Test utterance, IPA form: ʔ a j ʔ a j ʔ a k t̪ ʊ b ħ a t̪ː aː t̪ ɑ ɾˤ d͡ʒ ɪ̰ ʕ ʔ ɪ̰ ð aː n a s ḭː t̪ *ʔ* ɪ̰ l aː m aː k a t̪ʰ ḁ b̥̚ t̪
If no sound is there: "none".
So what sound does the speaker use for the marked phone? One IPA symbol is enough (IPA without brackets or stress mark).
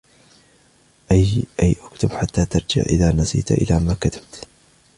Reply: ʔ